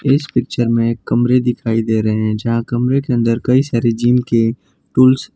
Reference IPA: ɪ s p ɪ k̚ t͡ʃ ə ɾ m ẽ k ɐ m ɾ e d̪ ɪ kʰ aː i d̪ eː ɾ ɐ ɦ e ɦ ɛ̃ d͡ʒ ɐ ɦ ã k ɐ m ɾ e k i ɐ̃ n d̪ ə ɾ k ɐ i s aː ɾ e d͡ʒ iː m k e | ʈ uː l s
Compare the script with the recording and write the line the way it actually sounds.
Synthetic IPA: ɪ s p ɪ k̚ t͡ʃ ə ɾ m ẽ k ɐ m ɾ e d̪ ɪ kʰ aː i d̪ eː ɾ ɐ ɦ e ɦ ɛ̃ d͡ʒ ɐ ɦ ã k ɐ m ɾ e k e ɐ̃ n d̪ ə ɾ k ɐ i s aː ɾ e d͡ʒ iː m k e | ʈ uː l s